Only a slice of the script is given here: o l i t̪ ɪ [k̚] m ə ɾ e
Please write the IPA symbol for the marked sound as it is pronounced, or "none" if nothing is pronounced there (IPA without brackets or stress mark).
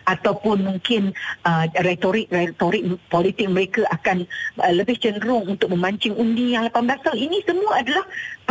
k̚